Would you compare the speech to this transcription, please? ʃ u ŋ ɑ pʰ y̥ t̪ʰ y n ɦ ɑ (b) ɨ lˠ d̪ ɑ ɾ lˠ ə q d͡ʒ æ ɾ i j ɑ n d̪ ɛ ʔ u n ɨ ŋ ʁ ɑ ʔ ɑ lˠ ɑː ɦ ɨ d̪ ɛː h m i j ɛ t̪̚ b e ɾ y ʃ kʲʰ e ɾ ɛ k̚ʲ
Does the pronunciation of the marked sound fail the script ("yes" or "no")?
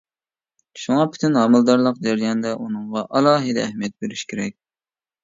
yes